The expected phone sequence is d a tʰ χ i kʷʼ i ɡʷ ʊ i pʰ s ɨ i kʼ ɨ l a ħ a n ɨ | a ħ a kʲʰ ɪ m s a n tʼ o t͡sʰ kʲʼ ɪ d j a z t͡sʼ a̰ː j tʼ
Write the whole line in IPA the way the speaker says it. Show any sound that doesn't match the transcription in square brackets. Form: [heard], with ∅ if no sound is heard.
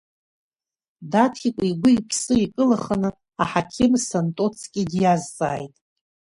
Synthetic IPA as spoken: d a tʰ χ i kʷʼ i ɡʷ ʊ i pʰ s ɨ i kʼ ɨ l a [χ] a n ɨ | a ħ a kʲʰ ɪ m s a n tʼ o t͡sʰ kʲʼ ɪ d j a z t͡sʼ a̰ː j tʼ